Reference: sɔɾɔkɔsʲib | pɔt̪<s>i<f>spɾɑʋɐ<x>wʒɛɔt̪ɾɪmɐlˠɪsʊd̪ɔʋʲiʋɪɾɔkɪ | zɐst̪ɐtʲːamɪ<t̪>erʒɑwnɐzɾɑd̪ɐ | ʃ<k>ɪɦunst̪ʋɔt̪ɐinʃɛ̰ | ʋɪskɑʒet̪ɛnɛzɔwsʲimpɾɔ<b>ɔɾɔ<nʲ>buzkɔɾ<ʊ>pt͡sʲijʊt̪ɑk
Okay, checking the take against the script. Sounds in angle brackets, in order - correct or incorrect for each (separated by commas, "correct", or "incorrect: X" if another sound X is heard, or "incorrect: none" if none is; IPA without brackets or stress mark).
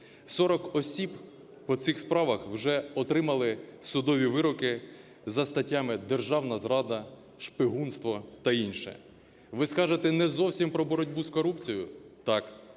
correct, incorrect: x, correct, incorrect: d̪, incorrect: p, correct, incorrect: dʲ, incorrect: u